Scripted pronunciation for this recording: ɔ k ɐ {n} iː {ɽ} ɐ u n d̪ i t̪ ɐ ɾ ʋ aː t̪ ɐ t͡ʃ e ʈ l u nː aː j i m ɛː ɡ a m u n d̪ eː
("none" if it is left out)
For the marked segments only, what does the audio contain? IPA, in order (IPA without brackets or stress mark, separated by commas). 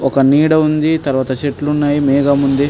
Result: n, ɽ